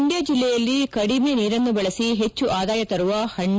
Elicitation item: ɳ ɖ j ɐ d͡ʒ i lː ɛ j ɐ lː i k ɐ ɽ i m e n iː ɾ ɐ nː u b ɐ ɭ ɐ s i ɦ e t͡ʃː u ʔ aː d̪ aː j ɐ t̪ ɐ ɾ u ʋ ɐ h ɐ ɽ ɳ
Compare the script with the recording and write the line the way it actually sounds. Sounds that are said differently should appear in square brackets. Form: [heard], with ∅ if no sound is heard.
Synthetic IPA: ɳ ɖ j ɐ d͡ʒ i lː ɛ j ɐ lː i k ɐ ɽ i m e n iː ɾ ɐ nː u b ɐ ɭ ɐ s i ɦ e t͡ʃː u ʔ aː d̪ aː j ɐ t̪ ɐ ɾ u ʋ ɐ h ɐ [∅] ɳ